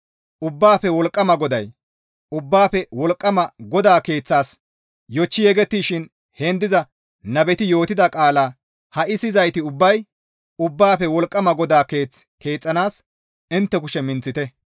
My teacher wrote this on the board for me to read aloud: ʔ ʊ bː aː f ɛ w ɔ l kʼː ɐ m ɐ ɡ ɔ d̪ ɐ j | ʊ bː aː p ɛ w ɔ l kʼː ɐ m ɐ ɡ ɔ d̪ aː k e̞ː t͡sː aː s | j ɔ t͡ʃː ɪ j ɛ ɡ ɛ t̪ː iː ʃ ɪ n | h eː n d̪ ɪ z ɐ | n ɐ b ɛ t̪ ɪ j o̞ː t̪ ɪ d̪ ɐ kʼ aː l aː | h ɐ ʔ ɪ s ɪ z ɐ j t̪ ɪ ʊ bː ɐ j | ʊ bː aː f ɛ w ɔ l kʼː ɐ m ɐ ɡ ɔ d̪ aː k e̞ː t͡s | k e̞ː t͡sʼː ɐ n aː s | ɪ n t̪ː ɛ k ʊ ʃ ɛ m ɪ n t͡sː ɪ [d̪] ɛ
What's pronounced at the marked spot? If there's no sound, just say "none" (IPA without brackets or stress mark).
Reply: t̪